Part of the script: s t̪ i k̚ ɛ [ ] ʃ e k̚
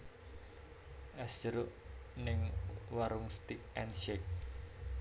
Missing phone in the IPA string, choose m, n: n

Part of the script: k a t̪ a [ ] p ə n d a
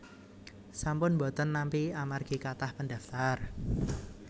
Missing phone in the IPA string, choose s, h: h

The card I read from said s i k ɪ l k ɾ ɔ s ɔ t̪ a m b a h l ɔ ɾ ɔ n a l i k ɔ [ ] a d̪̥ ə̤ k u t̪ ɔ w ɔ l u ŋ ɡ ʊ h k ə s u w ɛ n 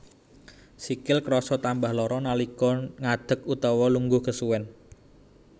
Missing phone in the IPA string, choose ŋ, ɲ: ŋ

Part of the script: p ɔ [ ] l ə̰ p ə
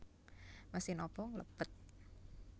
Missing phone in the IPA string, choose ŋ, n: ŋ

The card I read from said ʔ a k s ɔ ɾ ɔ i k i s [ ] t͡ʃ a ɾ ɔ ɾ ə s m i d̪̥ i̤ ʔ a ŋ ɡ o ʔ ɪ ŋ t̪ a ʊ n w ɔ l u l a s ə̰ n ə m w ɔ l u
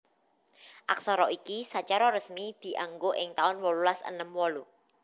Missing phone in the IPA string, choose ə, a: a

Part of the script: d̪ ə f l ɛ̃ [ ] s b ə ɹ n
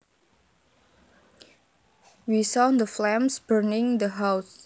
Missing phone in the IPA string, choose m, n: m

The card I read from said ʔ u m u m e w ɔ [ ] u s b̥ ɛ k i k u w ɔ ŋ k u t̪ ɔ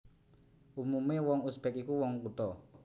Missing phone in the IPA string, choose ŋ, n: ŋ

